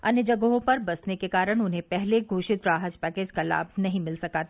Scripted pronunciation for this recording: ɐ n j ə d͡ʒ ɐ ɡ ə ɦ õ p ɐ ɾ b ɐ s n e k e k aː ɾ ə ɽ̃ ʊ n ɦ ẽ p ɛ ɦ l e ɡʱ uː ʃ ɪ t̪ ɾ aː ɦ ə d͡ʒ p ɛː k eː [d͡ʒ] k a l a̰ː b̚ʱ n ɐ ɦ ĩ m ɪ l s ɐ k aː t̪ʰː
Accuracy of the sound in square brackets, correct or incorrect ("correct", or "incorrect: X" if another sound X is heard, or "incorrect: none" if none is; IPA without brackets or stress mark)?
correct